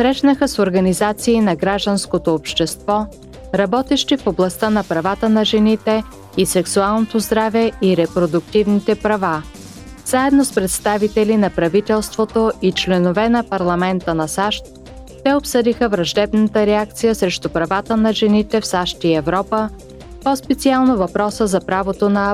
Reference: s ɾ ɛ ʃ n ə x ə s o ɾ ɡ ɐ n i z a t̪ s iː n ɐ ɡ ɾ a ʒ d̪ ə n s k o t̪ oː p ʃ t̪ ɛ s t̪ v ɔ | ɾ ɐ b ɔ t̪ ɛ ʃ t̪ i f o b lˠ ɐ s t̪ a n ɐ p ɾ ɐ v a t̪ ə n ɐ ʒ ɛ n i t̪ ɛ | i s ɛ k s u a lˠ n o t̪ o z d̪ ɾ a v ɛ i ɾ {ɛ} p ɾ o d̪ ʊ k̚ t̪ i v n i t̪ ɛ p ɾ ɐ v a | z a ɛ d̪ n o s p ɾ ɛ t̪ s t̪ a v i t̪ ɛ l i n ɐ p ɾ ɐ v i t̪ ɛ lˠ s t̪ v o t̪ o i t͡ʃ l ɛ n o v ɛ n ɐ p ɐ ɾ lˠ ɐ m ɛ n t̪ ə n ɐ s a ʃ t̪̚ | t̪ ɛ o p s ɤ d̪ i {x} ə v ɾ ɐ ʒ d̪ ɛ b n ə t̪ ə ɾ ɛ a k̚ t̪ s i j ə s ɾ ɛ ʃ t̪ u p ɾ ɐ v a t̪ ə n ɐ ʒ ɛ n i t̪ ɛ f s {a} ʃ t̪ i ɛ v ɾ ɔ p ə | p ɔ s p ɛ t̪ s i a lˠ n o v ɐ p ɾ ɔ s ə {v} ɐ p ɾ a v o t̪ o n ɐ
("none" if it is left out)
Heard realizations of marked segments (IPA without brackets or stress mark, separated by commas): ɛ, x, a, z